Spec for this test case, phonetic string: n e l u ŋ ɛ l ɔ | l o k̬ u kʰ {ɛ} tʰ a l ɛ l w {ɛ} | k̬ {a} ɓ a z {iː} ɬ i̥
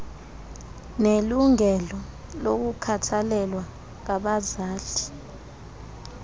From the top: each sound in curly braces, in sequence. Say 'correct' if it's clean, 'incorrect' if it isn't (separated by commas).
incorrect, incorrect, correct, incorrect